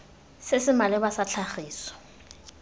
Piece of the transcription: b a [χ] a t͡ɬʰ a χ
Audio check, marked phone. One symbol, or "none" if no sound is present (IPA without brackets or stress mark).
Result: s